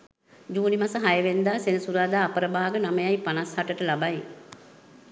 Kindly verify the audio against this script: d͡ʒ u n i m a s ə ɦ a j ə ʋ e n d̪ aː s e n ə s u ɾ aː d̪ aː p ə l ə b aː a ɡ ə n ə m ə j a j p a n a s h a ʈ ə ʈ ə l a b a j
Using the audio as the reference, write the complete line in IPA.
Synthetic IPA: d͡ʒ uː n i m a s ə ɦ a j ə ʋ e n d̪ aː s e n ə s u ɾ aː d̪ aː p ə ɾ ə b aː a ɡ ə n a m ə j a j p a n a s h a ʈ ə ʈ ə l a b a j